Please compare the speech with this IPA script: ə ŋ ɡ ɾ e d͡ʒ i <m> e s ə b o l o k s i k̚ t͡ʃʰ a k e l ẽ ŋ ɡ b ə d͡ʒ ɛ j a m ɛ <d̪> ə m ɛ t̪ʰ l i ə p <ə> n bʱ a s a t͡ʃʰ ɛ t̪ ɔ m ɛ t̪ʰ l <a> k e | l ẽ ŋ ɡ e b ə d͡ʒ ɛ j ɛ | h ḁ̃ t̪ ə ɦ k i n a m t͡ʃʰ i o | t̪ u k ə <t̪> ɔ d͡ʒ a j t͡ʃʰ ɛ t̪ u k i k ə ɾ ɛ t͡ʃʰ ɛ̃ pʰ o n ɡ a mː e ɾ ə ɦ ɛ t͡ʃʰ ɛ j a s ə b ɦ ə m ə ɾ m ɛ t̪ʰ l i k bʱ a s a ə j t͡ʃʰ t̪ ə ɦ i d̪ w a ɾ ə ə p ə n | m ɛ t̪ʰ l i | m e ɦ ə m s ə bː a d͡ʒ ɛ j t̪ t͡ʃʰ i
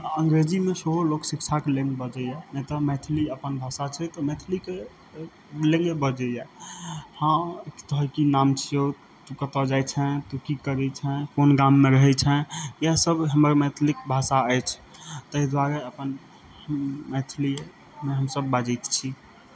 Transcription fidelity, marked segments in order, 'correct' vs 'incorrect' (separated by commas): correct, incorrect, correct, incorrect, correct